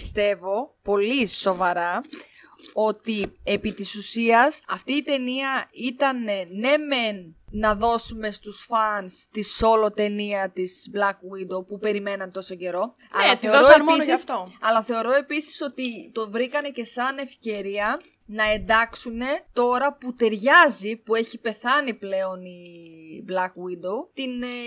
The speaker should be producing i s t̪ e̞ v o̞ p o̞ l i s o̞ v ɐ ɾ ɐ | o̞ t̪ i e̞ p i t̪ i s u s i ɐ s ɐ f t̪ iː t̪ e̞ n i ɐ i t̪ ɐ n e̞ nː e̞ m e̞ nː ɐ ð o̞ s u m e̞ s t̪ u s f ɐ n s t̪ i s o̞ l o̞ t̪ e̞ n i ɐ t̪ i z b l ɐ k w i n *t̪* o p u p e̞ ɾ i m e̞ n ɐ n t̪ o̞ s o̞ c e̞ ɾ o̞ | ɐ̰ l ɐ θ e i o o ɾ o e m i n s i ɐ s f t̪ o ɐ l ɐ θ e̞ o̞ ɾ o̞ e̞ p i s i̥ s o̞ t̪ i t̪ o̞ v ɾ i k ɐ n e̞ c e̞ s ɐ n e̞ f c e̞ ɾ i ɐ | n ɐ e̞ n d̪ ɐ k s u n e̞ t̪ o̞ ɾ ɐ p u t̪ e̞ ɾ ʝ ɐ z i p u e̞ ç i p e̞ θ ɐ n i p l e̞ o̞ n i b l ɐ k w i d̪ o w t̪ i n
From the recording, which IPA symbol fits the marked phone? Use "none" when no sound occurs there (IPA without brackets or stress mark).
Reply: d̪